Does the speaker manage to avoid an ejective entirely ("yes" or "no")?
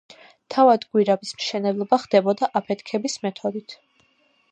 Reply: yes